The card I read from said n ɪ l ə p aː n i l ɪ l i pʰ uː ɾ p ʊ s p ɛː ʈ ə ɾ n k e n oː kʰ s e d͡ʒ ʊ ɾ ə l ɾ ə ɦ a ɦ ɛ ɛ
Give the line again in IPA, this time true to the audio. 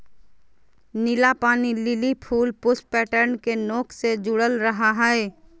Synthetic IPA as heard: n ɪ l a p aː n i l ɪ l i pʰ uː l p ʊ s p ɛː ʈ ə ɾ n k e n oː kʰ s e d͡ʒ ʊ ɽ ə l ɾ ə ɦ a ɦ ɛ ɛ